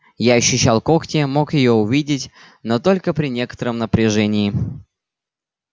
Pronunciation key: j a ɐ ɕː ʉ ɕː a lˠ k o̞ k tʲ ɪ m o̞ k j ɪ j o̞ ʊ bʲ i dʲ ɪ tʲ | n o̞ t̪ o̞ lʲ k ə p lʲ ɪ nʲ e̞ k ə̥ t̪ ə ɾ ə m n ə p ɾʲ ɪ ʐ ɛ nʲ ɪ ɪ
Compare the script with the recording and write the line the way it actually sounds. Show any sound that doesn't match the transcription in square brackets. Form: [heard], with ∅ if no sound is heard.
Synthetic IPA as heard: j a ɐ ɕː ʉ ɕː a lˠ k o̞ k tʲ ɪ m o̞ k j ɪ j o̞ ʊ [vʲ] i dʲ ɪ tʲ | n o̞ t̪ o̞ lʲ k ə p [ɾʲ] ɪ nʲ e̞ k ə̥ t̪ ə ɾ ə m n ə p ɾʲ ɪ ʐ ɛ nʲ ɪ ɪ